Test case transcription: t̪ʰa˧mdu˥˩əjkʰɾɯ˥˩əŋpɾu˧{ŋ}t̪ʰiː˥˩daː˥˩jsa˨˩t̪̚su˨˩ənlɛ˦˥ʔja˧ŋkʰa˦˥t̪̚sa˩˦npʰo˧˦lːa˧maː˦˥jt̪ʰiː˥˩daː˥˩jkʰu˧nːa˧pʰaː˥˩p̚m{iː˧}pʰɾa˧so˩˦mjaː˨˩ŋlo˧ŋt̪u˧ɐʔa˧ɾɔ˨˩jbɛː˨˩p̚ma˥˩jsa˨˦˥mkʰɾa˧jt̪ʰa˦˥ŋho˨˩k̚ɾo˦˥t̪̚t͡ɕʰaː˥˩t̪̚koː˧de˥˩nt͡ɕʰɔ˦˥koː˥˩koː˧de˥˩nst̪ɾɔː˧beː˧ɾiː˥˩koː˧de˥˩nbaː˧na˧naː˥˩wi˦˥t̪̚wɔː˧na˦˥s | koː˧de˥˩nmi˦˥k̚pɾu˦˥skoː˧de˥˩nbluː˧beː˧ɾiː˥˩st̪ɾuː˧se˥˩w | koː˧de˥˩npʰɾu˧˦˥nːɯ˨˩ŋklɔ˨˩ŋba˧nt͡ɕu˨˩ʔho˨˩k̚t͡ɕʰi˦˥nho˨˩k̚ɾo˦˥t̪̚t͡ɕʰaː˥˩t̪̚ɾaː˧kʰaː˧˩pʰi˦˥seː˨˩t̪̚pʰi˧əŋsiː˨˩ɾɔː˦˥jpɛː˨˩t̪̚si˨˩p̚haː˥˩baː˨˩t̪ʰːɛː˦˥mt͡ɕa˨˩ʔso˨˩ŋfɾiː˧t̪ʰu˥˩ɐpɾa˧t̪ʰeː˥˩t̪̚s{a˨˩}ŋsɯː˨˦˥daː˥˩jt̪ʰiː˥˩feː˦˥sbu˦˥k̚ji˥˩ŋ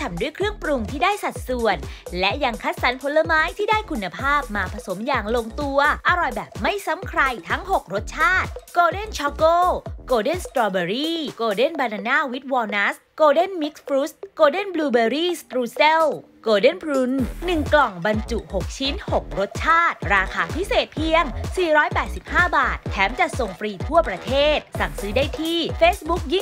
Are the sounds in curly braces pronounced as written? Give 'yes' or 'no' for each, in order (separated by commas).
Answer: yes, no, yes